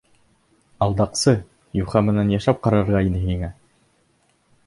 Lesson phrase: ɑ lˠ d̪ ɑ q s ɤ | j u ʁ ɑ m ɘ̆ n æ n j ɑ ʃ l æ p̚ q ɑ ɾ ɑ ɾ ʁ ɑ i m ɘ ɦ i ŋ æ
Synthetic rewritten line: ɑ lˠ d̪ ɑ q s ɤ | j u χ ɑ m ɘ̆ n æ n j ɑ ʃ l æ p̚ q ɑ ɾ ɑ ɾ ʁ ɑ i n ɘ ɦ i ŋ æ